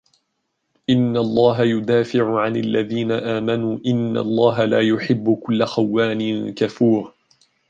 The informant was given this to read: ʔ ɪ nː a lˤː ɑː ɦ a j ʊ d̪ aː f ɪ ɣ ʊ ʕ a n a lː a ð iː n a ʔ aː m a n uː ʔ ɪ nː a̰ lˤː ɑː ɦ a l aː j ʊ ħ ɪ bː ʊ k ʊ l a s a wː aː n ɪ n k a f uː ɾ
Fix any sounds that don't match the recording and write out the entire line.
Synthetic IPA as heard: ʔ ɪ nː a lˤː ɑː ɦ a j ʊ d̪ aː f ɪ ʕ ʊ ʕ a n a lː a ð iː n a ʔ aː m a n uː ʔ ɪ nː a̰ lˤː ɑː ɦ a l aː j ʊ ħ ɪ bː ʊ k ʊ lː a x a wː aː n ɪ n k a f uː ɾ

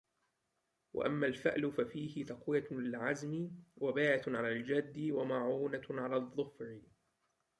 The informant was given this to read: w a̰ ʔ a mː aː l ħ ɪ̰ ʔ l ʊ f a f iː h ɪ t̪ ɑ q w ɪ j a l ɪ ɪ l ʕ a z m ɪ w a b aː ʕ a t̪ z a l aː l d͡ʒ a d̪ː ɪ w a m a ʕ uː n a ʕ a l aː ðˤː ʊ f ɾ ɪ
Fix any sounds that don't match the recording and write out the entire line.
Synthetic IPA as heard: w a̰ ʔ a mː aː l f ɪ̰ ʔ l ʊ f a f iː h ɪ t̪ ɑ q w ɪ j a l ɪ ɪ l ʕ a z m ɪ w a b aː ʕ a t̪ ʕ a l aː l d͡ʒ a d̪ː ɪ w a m a ʕ uː n a ʕ a l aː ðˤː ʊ f ɾ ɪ

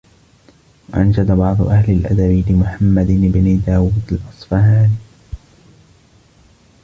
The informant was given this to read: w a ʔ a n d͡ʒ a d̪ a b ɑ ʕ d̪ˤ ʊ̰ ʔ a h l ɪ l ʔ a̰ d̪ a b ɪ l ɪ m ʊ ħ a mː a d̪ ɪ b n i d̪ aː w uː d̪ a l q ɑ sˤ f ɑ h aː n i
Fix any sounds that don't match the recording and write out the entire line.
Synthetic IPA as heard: w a ʔ a n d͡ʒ a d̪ a b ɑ ʕ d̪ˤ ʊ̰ ʔ a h l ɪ l ʔ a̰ d̪ a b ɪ l ɪ m ʊ ħ a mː a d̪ ɪ b n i d̪ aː w uː d̪ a l ʔ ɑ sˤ f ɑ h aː n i

